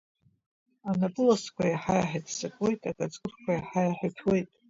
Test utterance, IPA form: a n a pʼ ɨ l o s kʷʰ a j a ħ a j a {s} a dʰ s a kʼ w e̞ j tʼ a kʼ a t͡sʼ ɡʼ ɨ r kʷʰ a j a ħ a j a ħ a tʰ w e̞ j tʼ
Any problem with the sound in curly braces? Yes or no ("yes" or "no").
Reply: yes